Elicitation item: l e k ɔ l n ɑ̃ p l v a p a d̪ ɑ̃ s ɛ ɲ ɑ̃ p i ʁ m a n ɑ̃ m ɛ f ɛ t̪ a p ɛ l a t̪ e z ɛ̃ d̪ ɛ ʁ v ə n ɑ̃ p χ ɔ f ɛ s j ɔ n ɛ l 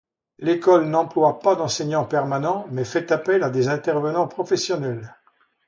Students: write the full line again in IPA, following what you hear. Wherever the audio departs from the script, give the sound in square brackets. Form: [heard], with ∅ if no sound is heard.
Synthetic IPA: l e k ɔ l n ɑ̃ p l [w] a p a d̪ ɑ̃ s ɛ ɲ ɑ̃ p [ɛ] ʁ m a n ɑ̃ m ɛ f ɛ t̪ a p ɛ l a [d̪] e z ɛ̃ [t̪] ɛ ʁ v ə n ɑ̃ p χ ɔ f ɛ s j ɔ n ɛ l